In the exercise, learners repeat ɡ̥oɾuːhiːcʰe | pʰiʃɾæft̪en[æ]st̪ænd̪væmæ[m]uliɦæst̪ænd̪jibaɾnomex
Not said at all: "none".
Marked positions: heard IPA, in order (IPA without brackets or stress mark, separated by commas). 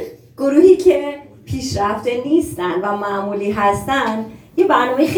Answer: i, m